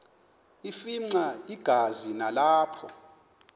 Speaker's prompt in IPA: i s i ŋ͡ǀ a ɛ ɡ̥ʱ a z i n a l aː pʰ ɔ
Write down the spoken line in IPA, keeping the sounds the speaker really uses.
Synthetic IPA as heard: i f i ŋ͡ǀ a i ɡ̥ʱ a z i n a l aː pʰ ɔ